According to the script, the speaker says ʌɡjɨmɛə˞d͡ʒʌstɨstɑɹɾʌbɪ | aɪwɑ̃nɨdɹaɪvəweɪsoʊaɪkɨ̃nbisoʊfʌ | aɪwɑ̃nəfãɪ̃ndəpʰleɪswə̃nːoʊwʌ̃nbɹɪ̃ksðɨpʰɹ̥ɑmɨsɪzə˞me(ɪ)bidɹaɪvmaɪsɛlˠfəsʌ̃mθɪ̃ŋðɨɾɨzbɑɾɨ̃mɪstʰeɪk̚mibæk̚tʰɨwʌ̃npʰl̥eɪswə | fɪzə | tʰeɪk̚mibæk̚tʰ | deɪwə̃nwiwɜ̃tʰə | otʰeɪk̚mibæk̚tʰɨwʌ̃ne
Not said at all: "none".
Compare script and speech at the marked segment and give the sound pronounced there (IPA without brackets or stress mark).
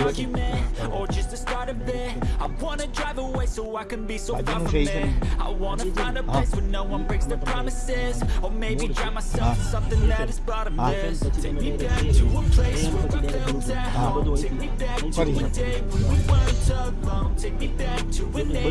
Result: ɪ